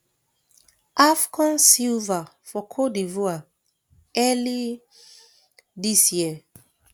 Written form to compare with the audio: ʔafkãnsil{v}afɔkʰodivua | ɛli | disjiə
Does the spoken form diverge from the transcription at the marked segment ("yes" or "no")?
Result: no